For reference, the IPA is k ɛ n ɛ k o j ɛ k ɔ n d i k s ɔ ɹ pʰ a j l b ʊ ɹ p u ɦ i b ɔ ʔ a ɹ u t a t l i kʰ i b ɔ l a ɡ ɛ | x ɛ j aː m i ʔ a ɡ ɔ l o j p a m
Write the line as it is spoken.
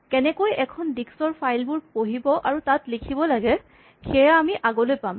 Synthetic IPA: k ɛ n ɛ k o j ɛ kʰ ɔ n d i k s ɔ ɹ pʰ a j l b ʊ ɹ p o ɦ i b ɔ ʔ a ɹ u t a t l i kʰ i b ɔ l a ɡ ɛ | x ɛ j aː m i ʔ a ɡ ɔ l o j p a m